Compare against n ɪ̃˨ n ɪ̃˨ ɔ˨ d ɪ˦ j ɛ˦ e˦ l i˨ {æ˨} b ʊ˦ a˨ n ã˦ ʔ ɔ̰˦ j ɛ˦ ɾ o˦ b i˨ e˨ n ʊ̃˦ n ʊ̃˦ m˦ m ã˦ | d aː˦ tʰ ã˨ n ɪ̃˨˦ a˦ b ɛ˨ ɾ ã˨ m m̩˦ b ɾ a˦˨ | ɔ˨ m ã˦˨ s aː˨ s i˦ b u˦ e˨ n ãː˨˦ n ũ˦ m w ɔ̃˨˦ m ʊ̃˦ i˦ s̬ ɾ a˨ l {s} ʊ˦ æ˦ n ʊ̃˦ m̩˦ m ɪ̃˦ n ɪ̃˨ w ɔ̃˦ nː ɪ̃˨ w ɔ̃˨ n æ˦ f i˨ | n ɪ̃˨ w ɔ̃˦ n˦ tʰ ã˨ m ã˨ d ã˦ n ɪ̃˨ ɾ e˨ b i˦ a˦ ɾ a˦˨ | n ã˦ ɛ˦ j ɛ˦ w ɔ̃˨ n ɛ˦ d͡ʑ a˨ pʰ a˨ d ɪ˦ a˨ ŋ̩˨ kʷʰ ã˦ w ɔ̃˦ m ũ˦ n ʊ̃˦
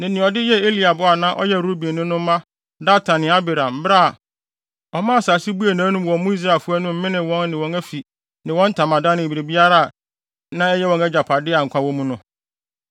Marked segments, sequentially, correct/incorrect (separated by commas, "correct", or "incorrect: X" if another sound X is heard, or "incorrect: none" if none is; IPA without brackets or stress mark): incorrect: a˨, incorrect: f